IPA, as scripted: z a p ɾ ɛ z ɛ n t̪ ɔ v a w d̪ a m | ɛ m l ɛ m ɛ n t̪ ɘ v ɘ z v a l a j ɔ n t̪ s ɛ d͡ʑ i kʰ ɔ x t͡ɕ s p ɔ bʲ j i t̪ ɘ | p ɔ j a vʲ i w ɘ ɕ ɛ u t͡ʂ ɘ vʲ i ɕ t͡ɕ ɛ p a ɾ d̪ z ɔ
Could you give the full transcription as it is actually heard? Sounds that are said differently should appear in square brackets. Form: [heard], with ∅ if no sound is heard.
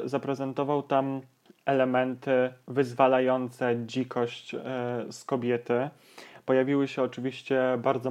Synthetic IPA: z a p ɾ ɛ z ɛ n t̪ ɔ v a w [t̪] a m | ɛ [∅] l ɛ m ɛ n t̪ ɘ v ɘ z v a l a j ɔ n t̪ s ɛ d͡ʑ i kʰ ɔ [ɕ] t͡ɕ s [k] ɔ bʲ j [ɛ] t̪ ɘ | p ɔ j a vʲ i w ɘ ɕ ɛ [ɔ] t͡ʂ ɘ vʲ i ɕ t͡ɕ ɛ [b] a ɾ d̪ z ɔ